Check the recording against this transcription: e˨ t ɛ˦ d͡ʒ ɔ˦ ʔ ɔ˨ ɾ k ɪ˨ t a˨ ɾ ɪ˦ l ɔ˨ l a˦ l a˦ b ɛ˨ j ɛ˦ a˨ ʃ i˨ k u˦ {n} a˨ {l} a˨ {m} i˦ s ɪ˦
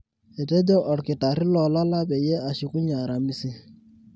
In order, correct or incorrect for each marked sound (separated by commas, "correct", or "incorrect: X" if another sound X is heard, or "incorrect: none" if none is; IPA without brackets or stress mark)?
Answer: incorrect: ɲ, incorrect: ɾ, correct